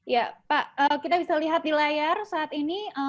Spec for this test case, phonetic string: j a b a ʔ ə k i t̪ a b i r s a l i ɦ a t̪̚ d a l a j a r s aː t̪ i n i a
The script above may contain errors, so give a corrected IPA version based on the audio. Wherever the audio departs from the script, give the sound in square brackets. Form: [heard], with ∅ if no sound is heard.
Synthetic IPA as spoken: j a [p] a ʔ ə k i t̪ a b i [∅] s a l i ɦ a t̪̚ d [i] l a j a r s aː t̪ i n i [ə]